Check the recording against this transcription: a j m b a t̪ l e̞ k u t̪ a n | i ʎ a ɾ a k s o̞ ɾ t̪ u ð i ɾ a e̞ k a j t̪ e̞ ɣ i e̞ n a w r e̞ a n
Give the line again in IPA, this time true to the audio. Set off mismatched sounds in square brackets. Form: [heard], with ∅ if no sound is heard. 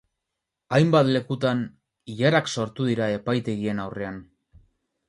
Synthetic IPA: a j m b a t̪ l e̞ k u t̪ a n | i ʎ a ɾ a k s o̞ ɾ t̪ u ð i ɾ a e̞ [p] a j t̪ e̞ ɣ i e̞ n a w r e̞ a n